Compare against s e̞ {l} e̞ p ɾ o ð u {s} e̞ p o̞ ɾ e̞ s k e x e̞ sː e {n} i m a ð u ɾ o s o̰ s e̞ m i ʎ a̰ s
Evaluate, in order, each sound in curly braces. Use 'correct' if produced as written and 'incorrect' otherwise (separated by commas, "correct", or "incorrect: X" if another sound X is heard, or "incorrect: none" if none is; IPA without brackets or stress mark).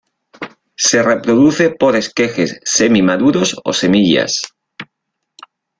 incorrect: r, incorrect: θ, incorrect: m